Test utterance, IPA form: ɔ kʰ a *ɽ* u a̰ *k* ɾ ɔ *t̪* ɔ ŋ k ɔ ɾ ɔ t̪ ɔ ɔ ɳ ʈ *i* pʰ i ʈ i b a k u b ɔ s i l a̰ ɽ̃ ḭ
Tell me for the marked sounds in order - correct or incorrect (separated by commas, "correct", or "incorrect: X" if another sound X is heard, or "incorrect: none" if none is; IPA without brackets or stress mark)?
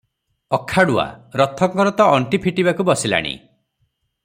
correct, incorrect: none, incorrect: t̪ʰ, correct